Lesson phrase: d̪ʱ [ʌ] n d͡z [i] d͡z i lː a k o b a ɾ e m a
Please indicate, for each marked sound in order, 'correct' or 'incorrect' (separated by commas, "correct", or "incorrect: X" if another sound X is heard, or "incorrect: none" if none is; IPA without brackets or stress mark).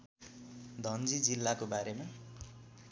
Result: correct, correct